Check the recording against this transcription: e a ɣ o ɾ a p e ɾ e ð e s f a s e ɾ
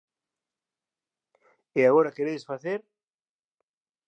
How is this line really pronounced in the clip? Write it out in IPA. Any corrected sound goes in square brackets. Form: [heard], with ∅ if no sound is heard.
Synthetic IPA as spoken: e a ɣ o ɾ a [k] e ɾ e ð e s f a [θ] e ɾ